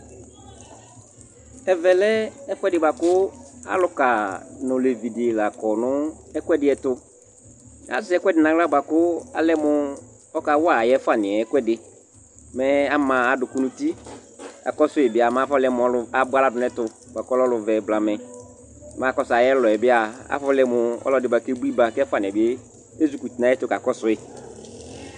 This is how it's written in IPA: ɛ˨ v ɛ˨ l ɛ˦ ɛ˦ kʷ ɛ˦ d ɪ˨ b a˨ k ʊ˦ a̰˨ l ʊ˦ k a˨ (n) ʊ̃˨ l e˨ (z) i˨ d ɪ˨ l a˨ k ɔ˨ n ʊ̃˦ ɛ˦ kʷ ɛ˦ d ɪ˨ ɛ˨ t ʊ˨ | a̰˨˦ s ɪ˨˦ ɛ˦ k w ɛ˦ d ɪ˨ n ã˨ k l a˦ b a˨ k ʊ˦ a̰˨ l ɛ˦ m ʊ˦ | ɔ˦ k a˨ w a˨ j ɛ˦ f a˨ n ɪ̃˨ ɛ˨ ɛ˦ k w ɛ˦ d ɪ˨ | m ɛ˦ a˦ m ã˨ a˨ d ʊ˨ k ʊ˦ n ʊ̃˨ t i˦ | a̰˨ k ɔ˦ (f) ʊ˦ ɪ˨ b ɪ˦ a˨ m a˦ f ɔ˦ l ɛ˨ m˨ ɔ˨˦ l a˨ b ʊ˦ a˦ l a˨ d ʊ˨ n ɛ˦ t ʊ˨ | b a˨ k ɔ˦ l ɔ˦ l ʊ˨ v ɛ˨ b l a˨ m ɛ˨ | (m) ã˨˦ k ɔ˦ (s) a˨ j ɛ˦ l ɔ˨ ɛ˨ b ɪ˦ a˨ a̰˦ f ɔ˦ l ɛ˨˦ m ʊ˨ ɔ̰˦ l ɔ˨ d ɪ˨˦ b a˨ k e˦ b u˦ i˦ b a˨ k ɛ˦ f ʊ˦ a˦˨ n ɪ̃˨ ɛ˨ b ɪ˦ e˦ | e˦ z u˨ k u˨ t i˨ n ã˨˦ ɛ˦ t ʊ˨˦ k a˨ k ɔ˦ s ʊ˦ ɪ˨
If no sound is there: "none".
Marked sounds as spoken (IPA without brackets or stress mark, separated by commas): n, v, s, m, s